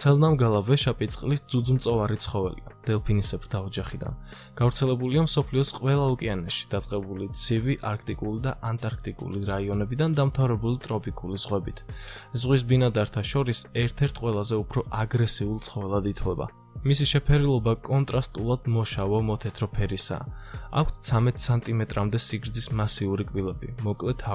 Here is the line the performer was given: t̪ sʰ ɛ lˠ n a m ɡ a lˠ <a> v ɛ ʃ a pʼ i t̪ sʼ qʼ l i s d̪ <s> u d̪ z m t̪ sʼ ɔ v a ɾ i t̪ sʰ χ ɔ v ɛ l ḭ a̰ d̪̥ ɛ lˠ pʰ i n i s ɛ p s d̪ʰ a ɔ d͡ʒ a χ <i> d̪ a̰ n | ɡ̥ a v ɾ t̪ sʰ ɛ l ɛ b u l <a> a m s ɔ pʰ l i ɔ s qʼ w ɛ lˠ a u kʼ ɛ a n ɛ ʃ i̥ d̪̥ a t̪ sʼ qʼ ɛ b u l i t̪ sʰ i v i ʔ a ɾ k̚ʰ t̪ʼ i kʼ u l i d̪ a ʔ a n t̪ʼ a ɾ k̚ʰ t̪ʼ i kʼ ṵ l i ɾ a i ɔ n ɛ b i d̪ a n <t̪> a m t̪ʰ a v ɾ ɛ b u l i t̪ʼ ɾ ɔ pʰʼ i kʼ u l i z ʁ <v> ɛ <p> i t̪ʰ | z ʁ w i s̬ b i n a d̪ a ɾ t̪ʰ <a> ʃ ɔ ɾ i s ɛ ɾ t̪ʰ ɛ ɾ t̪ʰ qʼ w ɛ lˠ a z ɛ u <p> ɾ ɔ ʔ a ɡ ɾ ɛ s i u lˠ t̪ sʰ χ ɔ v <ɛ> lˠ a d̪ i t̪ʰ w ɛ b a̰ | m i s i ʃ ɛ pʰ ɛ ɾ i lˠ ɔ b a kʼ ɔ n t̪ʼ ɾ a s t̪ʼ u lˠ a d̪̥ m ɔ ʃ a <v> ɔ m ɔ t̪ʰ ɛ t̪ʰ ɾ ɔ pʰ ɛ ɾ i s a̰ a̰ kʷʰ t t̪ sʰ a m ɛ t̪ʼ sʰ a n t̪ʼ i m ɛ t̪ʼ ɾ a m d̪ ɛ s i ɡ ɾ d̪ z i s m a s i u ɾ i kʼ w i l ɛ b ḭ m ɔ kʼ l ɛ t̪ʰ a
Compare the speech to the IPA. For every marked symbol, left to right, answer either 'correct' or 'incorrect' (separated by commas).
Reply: correct, incorrect, correct, incorrect, incorrect, incorrect, incorrect, correct, incorrect, correct, correct